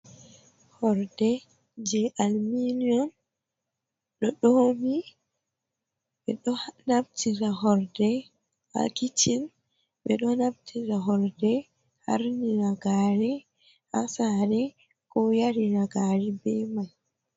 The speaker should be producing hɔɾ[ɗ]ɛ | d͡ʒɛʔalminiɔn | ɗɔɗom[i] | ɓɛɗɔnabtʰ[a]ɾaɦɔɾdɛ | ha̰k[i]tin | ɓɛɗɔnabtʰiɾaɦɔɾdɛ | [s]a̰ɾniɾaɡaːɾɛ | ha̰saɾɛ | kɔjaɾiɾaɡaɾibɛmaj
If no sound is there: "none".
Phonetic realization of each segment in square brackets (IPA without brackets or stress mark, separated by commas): d, i, i, i, h